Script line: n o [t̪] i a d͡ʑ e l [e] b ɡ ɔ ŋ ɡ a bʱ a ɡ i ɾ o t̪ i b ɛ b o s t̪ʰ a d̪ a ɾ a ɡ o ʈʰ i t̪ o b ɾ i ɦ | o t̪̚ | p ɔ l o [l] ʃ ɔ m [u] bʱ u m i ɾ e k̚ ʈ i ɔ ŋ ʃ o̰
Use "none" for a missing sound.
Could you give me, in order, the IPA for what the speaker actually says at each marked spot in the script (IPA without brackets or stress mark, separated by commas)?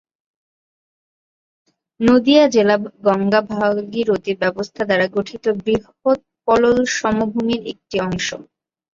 d̪, a, l, o